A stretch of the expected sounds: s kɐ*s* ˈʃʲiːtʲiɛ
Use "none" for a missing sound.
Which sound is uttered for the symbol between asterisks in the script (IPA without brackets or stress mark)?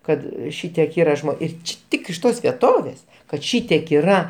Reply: t